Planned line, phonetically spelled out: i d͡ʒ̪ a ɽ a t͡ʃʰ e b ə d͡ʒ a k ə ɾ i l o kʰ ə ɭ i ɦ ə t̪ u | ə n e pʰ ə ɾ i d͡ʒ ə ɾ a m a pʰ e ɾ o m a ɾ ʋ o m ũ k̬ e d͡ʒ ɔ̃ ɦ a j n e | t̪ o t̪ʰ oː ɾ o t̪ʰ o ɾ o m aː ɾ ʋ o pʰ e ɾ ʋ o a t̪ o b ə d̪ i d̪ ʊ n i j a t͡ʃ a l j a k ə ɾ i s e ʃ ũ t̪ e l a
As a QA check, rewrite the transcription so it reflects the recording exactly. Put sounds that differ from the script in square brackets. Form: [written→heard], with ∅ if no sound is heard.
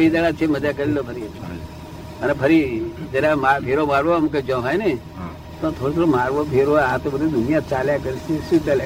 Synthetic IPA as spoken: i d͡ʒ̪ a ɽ a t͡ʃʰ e [b→m] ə d͡ʒ a k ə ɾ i l o [kʰ→pʰ] ə [ɭ→ɾ] i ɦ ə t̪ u | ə n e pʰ ə ɾ i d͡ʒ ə ɾ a m a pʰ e ɾ o m a ɾ ʋ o m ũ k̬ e d͡ʒ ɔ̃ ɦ a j n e | t̪ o t̪ʰ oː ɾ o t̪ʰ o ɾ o m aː ɾ ʋ o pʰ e ɾ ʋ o a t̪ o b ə d̪ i d̪ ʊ n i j a t͡ʃ a l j a k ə ɾ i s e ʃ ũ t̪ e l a